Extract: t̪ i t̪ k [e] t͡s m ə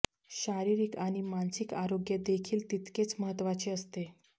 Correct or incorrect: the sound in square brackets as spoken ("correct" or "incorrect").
correct